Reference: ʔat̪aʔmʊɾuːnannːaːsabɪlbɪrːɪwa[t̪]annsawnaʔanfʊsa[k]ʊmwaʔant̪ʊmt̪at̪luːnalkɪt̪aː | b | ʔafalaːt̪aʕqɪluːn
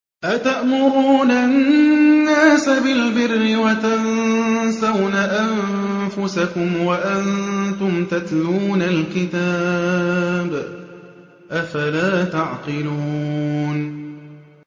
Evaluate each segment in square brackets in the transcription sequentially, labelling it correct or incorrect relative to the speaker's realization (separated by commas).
correct, correct